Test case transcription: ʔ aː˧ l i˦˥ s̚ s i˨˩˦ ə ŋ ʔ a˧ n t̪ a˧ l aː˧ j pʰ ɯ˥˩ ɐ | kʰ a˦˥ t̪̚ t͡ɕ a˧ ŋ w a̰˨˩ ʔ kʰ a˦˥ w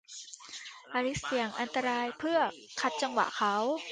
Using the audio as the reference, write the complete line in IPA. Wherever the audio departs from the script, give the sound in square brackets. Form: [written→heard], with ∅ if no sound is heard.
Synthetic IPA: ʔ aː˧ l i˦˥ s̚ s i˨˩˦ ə ŋ ʔ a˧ n t̪ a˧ [l→ɾ] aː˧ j pʰ ɯ˥˩ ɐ | kʰ a˦˥ t̪̚ t͡ɕ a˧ ŋ w a̰˨˩ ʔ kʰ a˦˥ w